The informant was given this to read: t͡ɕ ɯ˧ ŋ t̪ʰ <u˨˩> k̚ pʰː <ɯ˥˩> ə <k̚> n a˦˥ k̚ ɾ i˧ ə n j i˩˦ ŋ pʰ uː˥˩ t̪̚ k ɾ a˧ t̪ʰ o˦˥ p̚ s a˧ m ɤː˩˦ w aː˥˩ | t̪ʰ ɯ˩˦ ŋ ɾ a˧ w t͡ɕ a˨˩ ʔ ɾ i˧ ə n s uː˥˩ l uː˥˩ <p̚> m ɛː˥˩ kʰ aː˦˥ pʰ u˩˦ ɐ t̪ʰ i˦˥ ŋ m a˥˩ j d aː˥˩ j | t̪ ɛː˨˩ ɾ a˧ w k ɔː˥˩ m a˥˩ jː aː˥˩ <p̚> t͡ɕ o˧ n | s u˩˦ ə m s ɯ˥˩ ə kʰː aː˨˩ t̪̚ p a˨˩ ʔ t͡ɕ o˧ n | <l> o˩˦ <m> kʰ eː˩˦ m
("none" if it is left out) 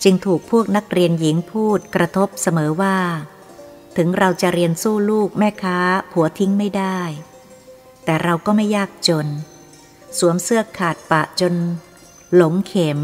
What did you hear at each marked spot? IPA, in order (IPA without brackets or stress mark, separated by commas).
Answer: uː˨˩, u˥˩, k̚, k̚, k̚, l, ŋ